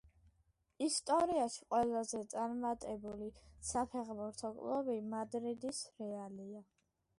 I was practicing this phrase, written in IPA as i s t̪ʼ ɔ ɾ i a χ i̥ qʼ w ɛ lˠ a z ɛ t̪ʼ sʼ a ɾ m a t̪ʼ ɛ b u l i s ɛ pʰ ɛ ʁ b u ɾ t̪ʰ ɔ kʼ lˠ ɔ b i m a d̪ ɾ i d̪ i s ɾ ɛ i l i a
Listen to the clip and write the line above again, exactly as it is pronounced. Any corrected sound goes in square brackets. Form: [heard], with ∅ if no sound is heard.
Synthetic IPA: i s t̪ʼ ɔ ɾ i a [ʃ] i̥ qʼ w ɛ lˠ a z ɛ [t̪] sʼ a ɾ m a t̪ʼ ɛ b u l i s [a] pʰ ɛ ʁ b u ɾ t̪ʰ ɔ kʼ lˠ ɔ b i m a d̪ ɾ i d̪ i s ɾ ɛ [a] l i a